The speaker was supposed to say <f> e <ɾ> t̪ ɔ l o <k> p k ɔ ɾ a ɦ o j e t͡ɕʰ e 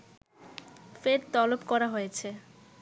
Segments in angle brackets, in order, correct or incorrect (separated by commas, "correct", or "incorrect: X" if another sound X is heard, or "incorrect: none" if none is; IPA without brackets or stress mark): correct, correct, incorrect: none